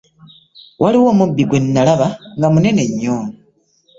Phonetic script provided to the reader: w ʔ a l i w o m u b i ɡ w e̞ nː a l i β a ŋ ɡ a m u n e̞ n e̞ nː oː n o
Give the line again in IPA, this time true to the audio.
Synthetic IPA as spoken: w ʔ a l i w o m u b i ɡ w e̞ nː a l a β a ŋ ɡ a m u n e̞ n e̞ ɲː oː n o